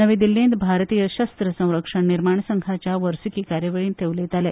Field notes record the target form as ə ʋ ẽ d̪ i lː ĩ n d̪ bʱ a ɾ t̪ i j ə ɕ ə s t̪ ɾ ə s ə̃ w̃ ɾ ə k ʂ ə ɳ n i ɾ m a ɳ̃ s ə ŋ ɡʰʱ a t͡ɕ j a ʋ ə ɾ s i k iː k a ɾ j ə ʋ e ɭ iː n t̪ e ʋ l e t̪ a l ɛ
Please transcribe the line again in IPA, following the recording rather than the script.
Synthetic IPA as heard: ə ʋ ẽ d̪ i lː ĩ n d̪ bʱ a ɾ t̪ i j ə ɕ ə s t̪ ɾ ə s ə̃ w̃ ɾ ə k ʂ ə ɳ n i ɾ m a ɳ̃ s ə ŋ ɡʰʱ a t͡ɕ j a ʋ ə ɾ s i k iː k a ɾ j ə ʋ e ɭ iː n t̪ e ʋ l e t̪ a l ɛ